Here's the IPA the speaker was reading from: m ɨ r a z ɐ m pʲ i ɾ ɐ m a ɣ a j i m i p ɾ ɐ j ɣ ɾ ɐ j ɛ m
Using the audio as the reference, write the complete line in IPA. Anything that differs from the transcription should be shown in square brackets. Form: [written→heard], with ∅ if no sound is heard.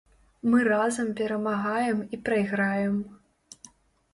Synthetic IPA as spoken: m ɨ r a z ɐ m pʲ [i→ɛ] ɾ ɐ m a ɣ a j [i→ɛ] m i p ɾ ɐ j ɣ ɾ [ɐ→a] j ɛ m